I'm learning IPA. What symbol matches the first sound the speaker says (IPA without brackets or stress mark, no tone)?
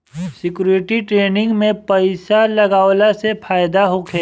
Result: s